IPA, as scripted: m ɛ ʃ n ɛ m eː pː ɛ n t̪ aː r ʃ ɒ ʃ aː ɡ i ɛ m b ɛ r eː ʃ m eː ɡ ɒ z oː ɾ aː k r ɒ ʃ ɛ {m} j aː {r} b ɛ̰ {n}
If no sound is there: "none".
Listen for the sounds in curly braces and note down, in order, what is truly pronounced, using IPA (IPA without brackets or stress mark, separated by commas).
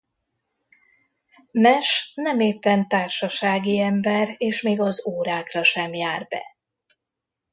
m, r, none